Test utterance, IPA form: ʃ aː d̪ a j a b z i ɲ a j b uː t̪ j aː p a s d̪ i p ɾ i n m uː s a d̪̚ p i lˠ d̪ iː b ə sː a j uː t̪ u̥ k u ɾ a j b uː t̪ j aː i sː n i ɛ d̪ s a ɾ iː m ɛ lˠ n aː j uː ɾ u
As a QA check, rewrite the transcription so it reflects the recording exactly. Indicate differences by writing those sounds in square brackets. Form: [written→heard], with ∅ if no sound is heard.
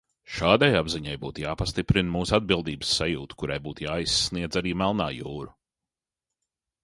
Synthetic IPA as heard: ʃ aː d̪ a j a b z i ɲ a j b uː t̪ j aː p a s [d̪→t̪] i p ɾ i n m uː s a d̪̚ [p→b] i lˠ d̪ iː b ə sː a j uː t̪ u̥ k u ɾ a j b uː t̪ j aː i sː n i ɛ d̪ [s→z] a ɾ iː m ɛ lˠ n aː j uː ɾ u

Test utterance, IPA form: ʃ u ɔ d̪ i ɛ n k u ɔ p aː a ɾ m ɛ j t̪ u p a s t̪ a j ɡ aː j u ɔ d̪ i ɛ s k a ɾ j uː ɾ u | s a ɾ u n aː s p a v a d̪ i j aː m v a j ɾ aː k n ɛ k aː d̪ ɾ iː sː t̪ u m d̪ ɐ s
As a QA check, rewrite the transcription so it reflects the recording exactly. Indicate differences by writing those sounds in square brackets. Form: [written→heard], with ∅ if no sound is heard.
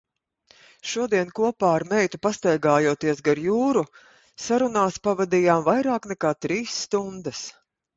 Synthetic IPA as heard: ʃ u ɔ d̪ i ɛ n k u ɔ p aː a ɾ m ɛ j t̪ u p a s t̪ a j ɡ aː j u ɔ [d̪→t̪] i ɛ s [k→ɡ] a ɾ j uː ɾ u | s a ɾ u n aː s p a v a d̪ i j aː m v a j ɾ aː k n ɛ k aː [d̪→t̪] ɾ iː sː t̪ u [m→n] d̪ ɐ s

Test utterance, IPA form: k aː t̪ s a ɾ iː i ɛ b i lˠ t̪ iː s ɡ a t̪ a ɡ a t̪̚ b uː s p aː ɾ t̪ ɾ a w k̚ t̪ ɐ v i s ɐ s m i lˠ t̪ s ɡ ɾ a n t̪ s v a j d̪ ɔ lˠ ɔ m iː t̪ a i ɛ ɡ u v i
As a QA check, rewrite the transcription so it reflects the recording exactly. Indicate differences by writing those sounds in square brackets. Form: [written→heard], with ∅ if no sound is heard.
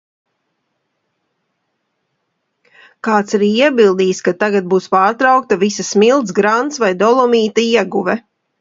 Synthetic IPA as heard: k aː t̪ s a ɾ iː i ɛ b i lˠ [t̪→d̪] iː s [ɡ→k] a t̪ a ɡ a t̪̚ b uː s p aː ɾ t̪ ɾ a w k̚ t̪ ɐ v i s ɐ s m i lˠ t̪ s ɡ ɾ a n t̪ s v a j d̪ ɔ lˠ ɔ m iː t̪ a i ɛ ɡ u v [i→ɛ]

